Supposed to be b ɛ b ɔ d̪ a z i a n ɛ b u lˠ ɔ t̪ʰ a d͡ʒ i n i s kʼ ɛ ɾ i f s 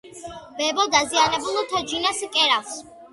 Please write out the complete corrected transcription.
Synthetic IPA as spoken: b ɛ b ɔ d̪ a z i a n ɛ b u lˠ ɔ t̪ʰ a d͡ʒ i n a s kʼ ɛ ɾ a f s

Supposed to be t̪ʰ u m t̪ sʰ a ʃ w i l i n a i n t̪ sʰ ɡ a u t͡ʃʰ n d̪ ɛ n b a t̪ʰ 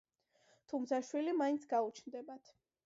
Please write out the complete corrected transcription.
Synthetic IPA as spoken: t̪ʰ u m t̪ sʰ a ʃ w i l i m a i n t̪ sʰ ɡ a u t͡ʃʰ n d̪ ɛ b a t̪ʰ

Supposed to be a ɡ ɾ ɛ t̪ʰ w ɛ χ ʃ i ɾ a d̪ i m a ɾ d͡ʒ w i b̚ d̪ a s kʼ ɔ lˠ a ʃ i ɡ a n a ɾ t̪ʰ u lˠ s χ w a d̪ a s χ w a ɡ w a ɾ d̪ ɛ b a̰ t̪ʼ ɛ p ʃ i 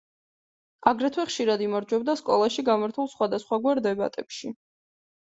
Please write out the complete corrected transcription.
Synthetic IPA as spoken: a ɡ ɾ ɛ t̪ʰ w ɛ χ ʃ i ɾ a d̪ i m a ɾ d͡ʒ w ɛ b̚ d̪ a s kʼ ɔ lˠ a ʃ i ɡ a m a ɾ t̪ʰ u lˠ s χ w a d̪ a s χ w a ɡ w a ɾ d̪ ɛ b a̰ t̪ʼ ɛ p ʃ i

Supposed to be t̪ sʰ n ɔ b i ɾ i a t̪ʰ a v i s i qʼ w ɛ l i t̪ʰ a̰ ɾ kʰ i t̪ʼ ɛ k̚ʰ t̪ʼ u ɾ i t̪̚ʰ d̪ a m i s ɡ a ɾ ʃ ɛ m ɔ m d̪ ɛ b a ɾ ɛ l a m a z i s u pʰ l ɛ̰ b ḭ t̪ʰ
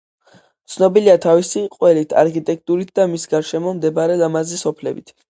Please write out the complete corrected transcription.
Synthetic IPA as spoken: t̪ sʰ n ɔ b i l i a t̪ʰ a v i s i qʼ w ɛ l i t̪ʰ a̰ ɾ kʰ i t̪ʼ ɛ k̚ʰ t̪ʼ u ɾ i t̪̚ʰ d̪ a m i s ɡ a ɾ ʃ ɛ m ɔ m d̪ ɛ b a ɾ ɛ l a m a z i s ɔ pʰ l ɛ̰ b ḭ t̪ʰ

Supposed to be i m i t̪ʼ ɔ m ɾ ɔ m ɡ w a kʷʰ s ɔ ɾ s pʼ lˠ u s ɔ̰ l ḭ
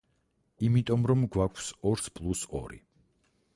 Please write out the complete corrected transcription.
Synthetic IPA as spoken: i m i t̪ʼ ɔ m ɾ ɔ m ɡ w a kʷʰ s ɔ ɾ s pʼ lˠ u s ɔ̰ ɾ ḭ

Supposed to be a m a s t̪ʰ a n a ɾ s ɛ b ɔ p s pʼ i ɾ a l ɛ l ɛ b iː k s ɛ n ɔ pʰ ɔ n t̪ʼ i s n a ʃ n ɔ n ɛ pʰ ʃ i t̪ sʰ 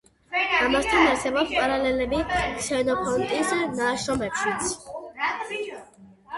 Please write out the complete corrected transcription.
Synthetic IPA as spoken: a m a s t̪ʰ a n a ɾ s ɛ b ɔ p s pʼ a ɾ a l ɛ l ɛ b i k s ɛ n ɔ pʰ ɔ n t̪ʼ i s n a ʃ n ɔ m ɛ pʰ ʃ i t̪ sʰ

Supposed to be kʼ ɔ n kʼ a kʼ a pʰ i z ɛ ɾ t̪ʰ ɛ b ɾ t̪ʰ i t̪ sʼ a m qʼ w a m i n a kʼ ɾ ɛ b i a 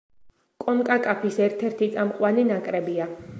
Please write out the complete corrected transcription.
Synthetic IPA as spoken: kʼ ɔ n kʼ a kʼ a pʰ i s ɛ ɾ t̪ʰ ɛ ɾ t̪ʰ i t̪ sʼ a m qʼ w a n i n a kʼ ɾ ɛ b i a

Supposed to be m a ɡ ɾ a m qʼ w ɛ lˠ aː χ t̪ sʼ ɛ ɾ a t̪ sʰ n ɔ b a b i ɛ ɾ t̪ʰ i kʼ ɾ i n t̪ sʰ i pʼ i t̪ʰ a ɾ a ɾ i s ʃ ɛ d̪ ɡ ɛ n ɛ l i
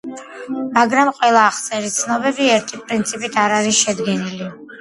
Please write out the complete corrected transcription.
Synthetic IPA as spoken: m a ɡ ɾ a m qʼ w ɛ lˠ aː χ t̪ sʼ ɛ ɾ i t̪ sʰ n ɔ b ɛ b i ɛ ɾ t̪ʰ i pʼ ɾ i n t̪ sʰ i pʼ i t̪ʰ a ɾ a ɾ i s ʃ ɛ d̪ ɡ ɛ n i l i

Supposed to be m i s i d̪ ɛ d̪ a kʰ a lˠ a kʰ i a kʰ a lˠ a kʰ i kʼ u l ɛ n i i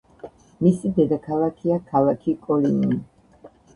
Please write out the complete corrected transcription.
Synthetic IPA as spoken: m i s i d̪ ɛ d̪ a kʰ a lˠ a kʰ i a kʰ a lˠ a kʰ i kʼ ɔ l i n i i

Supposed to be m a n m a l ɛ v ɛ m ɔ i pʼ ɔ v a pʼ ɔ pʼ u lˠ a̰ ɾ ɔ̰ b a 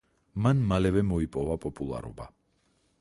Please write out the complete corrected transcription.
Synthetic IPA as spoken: m a n m a l ɛ v ɛ m ɔ i pʼ ɔ v a pʼ ɔ pʼ u lˠ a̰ ɾ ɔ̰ b a

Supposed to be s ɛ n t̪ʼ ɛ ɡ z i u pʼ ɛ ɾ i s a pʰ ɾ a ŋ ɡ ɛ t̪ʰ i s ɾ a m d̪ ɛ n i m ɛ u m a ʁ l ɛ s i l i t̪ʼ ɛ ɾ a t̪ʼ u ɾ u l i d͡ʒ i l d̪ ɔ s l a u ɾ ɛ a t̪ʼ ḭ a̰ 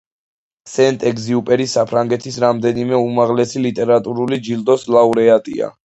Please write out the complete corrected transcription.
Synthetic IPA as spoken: s ɛ n t̪ʼ ɛ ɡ z i u pʼ ɛ ɾ i s a pʰ ɾ a ŋ ɡ ɛ t̪ʰ i s ɾ a m d̪ ɛ n i m ɛ u m a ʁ l ɛ s i l i t̪ʼ ɛ ɾ a t̪ʼ u ɾ u l i d͡ʒ i l d̪ ɔ s l a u ɾ ɛ a t̪ʼ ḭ a̰

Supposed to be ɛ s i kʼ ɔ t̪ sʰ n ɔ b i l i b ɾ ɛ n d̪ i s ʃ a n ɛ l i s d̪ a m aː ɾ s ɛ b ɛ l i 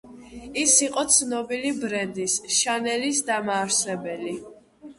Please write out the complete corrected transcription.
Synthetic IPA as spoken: i s i qʼ ɔ t̪ sʰ n ɔ b i l i b ɾ ɛ n d̪ i s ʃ a n ɛ l i s d̪ a m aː ɾ s ɛ b ɛ l i

